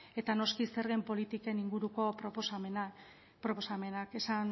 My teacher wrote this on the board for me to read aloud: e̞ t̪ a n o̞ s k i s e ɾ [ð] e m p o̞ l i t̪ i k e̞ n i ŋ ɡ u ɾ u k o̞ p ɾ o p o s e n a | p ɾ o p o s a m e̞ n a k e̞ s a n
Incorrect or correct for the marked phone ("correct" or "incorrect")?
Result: incorrect